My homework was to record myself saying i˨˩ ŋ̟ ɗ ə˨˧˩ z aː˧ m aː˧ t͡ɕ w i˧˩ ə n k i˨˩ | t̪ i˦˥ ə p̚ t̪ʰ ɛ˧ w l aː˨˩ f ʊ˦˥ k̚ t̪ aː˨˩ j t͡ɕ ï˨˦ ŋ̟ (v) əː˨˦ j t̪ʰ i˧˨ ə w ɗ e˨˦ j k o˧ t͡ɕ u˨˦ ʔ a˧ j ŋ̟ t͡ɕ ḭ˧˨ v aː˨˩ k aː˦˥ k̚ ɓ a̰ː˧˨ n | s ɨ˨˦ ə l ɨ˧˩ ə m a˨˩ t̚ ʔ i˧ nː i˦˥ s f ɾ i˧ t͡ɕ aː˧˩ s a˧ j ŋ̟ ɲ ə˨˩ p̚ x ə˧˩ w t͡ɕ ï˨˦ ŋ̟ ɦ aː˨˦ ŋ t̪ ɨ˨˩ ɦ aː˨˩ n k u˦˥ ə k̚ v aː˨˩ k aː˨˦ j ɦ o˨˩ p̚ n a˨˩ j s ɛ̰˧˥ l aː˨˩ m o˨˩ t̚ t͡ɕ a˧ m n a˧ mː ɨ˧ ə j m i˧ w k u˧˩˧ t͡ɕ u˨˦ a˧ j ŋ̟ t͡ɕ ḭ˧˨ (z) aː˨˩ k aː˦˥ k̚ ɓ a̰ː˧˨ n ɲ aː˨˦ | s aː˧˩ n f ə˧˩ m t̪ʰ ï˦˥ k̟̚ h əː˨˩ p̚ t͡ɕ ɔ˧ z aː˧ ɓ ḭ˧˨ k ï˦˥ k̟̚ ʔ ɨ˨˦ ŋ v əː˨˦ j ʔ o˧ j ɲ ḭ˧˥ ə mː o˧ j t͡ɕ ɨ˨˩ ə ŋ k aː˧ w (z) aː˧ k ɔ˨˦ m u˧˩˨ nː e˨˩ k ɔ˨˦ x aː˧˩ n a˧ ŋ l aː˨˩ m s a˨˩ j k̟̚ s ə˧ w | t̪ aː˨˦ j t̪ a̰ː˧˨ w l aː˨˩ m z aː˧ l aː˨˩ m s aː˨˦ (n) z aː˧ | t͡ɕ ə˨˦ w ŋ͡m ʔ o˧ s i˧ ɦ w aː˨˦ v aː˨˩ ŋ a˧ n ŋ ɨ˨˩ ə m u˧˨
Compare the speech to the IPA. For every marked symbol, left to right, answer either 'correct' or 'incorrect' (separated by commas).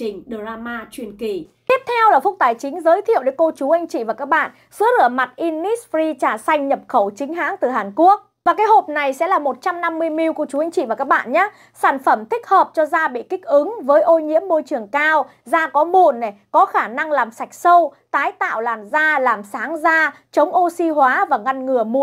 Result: incorrect, incorrect, correct, incorrect